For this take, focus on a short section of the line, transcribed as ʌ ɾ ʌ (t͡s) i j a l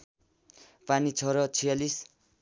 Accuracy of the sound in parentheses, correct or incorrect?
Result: incorrect